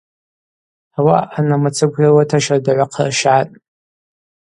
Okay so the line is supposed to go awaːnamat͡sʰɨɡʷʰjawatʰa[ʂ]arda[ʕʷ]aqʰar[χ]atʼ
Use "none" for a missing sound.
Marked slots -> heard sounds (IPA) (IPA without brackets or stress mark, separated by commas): ʃ, ʕʷ, ʃ